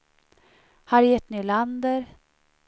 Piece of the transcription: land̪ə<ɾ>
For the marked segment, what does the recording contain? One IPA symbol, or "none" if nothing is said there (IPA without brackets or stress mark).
ɾ